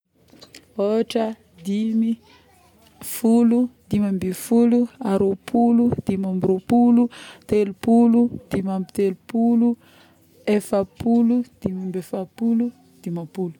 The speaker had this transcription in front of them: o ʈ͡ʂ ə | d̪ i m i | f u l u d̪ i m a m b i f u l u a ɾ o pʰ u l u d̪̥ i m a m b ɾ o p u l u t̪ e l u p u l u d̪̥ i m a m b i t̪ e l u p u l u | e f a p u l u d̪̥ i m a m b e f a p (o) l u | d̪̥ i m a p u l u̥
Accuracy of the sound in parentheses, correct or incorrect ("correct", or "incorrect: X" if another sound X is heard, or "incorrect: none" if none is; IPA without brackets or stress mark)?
incorrect: u